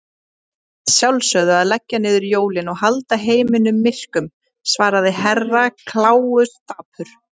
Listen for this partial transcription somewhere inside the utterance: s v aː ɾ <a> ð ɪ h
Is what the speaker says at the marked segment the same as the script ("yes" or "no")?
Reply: yes